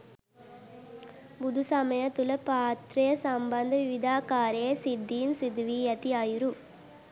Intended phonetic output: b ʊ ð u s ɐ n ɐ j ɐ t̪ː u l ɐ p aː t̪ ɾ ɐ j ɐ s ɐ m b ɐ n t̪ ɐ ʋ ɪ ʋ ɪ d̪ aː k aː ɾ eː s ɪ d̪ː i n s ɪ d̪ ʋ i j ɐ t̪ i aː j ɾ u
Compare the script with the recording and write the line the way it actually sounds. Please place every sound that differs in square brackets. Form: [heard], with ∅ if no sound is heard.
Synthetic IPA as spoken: b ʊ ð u s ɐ [m] ɐ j ɐ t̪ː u l ɐ p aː t̪ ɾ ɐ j ɐ s ɐ m b ɐ n [d̪] ɐ ʋ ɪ ʋ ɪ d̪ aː k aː ɾ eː s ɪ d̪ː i n s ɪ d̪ ʋ i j ɐ t̪ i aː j ɾ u